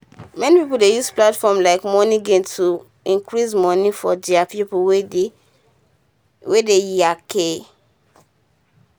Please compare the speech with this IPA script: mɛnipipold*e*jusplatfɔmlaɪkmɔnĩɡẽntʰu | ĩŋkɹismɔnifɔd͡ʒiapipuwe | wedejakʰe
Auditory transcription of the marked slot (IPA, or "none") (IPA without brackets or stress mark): e